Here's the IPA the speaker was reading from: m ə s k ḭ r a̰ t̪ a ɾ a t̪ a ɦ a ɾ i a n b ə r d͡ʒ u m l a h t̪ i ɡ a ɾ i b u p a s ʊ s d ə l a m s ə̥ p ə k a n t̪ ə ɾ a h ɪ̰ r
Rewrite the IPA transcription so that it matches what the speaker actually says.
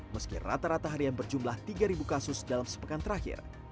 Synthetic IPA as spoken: m ə s k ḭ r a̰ t̪ a ɾ a t̪ a ɦ a ɾ i a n b ə r d͡ʒ u m l a h t̪ i ɡ a ɾ i b u k a s ʊ s d a l a m s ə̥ p ə k a n t̪ ə ɾ a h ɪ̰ r